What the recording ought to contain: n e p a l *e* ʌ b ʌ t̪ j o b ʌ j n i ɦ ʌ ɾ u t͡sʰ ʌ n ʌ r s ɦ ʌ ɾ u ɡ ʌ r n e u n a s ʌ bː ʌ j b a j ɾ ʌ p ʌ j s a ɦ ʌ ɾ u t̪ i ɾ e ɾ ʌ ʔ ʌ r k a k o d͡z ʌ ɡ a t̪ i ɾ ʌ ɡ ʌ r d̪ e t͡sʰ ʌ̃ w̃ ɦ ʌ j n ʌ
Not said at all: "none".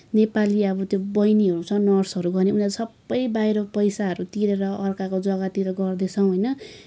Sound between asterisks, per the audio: i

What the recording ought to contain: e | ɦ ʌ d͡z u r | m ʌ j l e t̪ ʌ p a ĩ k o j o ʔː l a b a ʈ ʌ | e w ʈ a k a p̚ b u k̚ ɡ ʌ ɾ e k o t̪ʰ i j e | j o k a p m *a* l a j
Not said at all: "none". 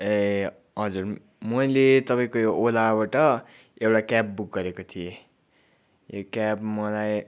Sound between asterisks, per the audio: ʌ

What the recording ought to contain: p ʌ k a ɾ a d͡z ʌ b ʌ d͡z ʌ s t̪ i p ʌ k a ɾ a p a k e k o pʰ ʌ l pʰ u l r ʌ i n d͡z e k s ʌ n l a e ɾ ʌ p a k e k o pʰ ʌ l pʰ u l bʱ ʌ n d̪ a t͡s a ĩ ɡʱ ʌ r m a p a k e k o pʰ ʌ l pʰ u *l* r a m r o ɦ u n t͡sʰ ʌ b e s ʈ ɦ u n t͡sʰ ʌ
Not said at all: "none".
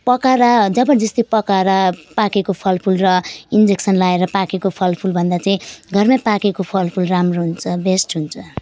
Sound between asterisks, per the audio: l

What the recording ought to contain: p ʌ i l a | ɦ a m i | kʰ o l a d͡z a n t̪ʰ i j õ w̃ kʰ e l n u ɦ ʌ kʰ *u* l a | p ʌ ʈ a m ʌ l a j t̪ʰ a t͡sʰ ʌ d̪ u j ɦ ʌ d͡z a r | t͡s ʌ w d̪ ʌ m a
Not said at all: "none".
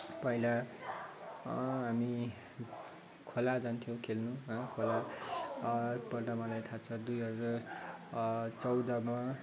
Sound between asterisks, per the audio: o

